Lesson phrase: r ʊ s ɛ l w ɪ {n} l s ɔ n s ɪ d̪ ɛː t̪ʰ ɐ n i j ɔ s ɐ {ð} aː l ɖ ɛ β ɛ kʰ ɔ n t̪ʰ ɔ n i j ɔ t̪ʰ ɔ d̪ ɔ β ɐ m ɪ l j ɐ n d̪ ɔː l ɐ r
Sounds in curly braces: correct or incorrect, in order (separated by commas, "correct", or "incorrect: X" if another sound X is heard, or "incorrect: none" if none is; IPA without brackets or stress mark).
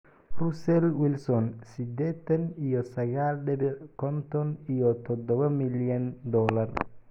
incorrect: none, incorrect: ɣ